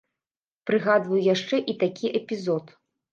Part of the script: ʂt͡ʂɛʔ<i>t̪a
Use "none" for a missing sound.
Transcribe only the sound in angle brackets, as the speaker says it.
i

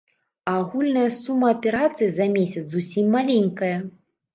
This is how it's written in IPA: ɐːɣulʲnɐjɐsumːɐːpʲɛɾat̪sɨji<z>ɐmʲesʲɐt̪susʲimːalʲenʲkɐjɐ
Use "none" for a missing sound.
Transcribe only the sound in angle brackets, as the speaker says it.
z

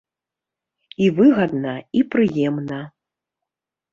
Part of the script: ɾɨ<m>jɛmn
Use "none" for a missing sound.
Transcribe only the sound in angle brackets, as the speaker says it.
none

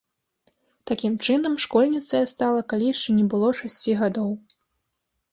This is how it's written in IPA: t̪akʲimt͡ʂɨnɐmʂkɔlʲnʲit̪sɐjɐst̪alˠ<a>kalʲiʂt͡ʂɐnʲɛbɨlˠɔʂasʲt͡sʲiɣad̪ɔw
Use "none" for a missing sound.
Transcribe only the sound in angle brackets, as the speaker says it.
ɐ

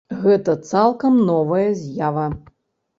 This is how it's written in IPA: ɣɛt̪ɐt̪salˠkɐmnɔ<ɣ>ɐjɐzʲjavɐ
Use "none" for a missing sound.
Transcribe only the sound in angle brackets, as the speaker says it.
v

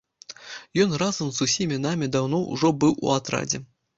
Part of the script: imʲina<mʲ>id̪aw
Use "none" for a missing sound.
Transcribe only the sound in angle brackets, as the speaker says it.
mʲ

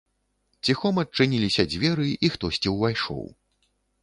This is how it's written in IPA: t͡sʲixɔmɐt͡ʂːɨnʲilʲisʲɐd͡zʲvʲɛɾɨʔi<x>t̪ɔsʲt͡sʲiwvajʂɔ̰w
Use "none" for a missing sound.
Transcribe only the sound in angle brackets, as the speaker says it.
x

